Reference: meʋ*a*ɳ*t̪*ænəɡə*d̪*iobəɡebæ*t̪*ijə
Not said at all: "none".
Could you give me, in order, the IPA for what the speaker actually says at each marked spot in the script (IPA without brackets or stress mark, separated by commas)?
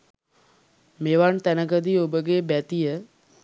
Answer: a, t̪, d̪, t̪